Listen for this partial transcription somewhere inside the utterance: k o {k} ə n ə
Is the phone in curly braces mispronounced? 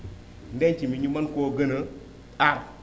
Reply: yes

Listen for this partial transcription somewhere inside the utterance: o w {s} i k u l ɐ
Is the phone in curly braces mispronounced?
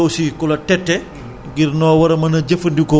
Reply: no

